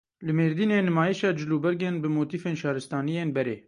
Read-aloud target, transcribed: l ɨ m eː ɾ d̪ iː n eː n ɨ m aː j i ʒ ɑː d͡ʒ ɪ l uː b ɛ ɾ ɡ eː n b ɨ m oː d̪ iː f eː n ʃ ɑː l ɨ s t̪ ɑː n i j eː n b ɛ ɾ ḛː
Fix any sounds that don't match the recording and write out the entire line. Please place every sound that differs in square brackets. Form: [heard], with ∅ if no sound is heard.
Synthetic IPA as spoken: l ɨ m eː ɾ d̪ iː n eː n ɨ m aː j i [ʃ] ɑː d͡ʒ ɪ l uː b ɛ ɾ ɡ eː n b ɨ m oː [t̪] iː f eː n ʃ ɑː [ɾ] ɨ s t̪ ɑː n i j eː n b ɛ ɾ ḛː